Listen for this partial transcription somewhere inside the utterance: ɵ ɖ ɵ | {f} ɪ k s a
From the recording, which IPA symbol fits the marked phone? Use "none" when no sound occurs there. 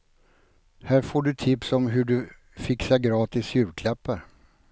f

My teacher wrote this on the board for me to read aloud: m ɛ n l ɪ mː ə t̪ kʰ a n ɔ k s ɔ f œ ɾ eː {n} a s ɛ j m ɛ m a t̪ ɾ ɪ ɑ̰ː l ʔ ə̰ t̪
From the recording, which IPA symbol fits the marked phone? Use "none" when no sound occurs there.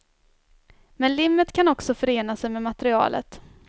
n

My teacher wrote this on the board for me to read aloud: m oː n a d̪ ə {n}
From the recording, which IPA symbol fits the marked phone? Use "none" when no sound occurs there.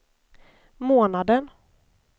n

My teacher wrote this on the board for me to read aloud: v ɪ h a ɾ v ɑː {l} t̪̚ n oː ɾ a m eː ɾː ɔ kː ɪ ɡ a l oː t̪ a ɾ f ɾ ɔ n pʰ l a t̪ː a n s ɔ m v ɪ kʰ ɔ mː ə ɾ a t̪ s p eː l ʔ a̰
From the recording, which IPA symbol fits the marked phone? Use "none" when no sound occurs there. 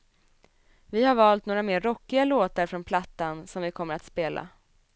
l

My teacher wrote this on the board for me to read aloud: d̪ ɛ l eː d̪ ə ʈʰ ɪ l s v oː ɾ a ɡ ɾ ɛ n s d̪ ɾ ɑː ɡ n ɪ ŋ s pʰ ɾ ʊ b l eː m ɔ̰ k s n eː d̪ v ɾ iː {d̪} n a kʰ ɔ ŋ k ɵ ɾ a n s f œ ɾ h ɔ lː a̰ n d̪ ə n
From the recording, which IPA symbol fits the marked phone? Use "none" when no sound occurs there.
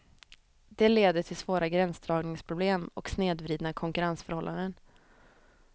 d̪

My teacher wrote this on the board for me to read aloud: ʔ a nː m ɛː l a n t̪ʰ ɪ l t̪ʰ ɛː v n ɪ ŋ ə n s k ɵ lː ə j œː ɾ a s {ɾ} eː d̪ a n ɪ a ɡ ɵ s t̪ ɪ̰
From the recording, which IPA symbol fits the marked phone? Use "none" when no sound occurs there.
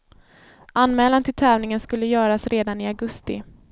ɾ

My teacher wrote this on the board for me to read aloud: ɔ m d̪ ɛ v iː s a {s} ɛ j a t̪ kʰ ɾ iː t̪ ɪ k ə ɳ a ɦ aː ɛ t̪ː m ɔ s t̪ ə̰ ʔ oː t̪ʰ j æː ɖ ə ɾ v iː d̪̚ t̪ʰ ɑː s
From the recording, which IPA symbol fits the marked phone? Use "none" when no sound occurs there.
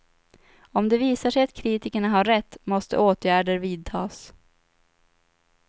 ʂ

